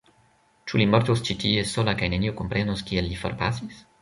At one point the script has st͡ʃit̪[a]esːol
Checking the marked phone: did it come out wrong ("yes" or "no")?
yes